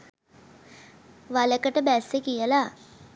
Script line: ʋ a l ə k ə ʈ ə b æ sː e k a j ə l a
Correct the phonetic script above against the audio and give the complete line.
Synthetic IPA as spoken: ʋ a l ə k ə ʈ ə b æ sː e k i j ə l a